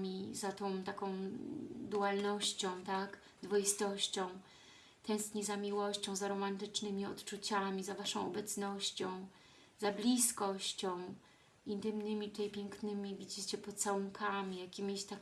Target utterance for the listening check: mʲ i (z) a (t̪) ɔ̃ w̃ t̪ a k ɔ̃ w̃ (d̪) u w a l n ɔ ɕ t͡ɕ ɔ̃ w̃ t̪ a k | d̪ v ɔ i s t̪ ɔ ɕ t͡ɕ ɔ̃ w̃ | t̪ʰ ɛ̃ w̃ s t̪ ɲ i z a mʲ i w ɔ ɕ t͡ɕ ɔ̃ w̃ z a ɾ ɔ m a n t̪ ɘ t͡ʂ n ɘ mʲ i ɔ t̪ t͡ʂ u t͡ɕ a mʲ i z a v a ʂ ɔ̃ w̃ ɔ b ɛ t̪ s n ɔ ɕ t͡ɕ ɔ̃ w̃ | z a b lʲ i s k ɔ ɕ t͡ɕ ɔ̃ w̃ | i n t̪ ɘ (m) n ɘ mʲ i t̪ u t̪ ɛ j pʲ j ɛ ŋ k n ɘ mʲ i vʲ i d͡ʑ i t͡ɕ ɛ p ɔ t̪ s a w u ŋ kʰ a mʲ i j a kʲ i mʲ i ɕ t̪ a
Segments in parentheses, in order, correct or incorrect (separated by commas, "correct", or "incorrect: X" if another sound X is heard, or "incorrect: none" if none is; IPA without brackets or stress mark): correct, correct, correct, correct